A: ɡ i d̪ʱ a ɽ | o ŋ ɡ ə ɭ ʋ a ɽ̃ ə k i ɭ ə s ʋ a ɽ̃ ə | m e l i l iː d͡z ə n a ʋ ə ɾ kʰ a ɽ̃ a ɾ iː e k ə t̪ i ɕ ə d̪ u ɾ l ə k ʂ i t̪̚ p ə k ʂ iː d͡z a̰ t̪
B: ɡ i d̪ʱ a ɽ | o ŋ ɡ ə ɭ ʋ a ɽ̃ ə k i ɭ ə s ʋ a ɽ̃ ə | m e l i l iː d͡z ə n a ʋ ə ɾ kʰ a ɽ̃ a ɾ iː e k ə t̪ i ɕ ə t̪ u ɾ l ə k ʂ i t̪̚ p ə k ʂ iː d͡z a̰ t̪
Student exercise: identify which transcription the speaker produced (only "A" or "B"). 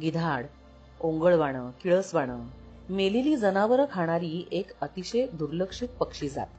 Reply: A